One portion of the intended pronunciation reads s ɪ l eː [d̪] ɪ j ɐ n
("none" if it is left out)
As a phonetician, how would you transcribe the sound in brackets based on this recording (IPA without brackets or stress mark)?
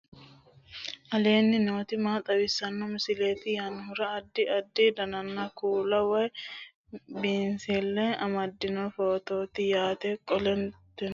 t̪